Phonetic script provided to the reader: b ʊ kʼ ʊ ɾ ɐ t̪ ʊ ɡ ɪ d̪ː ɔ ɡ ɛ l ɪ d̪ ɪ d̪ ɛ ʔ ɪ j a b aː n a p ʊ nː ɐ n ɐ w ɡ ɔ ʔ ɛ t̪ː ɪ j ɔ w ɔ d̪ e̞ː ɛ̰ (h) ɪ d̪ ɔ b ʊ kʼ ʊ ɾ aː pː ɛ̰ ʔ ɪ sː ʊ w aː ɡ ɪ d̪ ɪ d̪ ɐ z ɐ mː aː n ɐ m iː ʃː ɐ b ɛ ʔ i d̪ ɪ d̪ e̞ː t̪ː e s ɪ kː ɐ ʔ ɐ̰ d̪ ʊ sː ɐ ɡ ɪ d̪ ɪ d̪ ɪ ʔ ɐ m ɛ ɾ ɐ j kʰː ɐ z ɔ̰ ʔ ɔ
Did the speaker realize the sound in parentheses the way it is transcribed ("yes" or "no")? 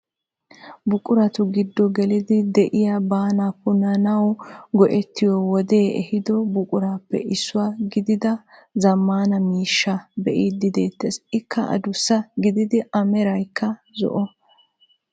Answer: yes